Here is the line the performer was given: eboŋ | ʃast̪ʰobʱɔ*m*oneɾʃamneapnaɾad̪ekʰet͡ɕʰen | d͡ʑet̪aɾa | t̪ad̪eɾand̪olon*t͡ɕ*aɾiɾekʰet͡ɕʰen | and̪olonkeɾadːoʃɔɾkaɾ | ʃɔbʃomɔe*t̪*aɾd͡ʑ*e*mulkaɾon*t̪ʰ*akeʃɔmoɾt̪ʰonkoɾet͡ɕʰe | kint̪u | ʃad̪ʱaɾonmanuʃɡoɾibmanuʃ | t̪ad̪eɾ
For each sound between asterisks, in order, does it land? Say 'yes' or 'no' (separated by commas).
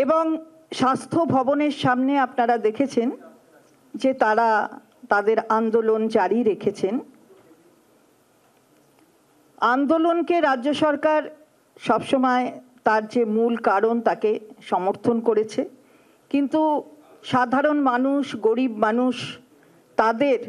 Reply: no, yes, yes, yes, no